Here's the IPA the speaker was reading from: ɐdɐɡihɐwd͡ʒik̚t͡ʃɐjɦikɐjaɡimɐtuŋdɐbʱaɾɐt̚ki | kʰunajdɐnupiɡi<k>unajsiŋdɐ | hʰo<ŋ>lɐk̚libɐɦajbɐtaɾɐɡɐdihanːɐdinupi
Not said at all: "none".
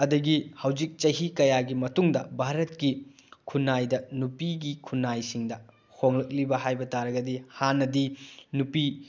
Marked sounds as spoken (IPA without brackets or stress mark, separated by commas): kʰ, ŋ